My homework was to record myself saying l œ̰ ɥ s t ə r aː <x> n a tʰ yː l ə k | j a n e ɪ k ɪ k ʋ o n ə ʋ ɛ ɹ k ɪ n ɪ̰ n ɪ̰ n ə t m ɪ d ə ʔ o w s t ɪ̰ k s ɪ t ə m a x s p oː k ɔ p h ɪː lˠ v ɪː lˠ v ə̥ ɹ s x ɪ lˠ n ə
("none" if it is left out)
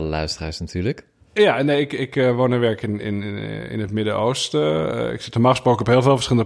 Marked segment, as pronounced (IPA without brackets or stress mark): s